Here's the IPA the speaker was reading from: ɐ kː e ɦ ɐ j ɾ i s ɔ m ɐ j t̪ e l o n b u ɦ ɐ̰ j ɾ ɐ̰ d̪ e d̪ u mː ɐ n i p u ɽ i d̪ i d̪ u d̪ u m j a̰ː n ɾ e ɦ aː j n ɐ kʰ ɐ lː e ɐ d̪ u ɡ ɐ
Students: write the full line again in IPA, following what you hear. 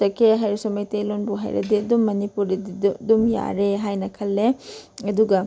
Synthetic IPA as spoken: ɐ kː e ɦ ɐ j ɾ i s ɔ m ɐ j t̪ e l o n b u ɦ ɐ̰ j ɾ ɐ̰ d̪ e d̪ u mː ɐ n i p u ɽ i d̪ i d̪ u d̪ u m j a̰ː ɾ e ɦ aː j n ɐ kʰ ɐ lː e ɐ d̪ u ɡ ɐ